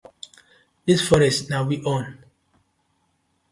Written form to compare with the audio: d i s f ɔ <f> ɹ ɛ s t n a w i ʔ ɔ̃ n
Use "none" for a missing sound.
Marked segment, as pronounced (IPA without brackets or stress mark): none